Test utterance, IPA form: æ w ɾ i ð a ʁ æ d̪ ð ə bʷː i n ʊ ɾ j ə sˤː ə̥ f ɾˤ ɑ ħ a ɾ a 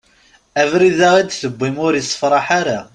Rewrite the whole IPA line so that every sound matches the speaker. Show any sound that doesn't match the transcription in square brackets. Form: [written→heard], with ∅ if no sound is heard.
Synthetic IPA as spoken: æ [w→v] ɾ i ð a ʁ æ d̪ [ð→θ] ə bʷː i [n→m] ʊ ɾ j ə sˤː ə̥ f ɾˤ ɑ ħ a ɾ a